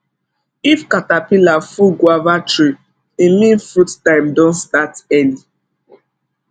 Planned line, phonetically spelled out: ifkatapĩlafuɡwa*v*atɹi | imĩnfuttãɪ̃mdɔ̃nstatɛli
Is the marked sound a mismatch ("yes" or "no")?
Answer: no